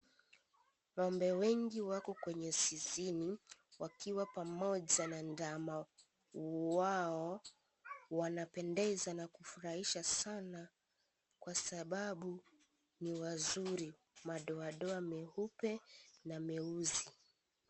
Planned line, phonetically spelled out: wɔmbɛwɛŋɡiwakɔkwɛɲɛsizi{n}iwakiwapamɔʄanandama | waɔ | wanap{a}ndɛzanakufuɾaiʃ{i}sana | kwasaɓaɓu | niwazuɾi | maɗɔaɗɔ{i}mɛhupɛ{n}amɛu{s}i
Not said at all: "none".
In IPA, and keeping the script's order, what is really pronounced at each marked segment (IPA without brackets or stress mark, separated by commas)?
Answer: n, ɛ, a, a, n, z